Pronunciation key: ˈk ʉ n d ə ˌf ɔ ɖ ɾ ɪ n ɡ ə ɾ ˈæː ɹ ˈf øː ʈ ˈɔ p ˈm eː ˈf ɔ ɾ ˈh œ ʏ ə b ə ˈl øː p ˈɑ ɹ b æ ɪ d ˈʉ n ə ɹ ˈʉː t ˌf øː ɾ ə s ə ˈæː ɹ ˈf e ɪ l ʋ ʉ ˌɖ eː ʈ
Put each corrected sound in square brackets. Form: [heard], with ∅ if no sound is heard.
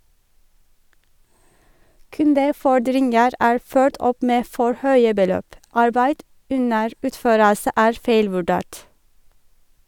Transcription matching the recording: ˈk ʉ n d ə ˌf ɔ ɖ ɾ ɪ n ɡ ə ɾ ˈæː ɹ ˈf øː ʈ ˈɔ p ˈm eː ˈf ɔ [ɹ] ˈh œ ʏ ə b ə ˈl øː p ˈɑ ɹ b æ ɪ d ˈʉ n ə ɹ ˈʉː t ˌf øː ɾ ə s ə ˈæː ɹ ˈf e ɪ l ʋ ʉ ˌɖ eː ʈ